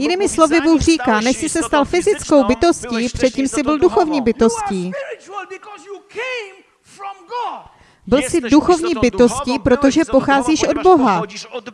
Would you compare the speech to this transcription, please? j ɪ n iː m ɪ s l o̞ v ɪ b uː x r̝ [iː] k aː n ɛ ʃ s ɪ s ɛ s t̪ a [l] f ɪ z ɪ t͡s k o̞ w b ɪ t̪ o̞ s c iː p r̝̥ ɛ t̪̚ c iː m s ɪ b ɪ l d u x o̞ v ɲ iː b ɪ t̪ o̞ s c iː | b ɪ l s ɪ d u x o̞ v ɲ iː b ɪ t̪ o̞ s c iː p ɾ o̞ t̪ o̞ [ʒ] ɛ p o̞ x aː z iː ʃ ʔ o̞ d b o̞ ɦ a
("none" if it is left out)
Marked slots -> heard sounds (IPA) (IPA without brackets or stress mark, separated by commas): iː, l, ʒ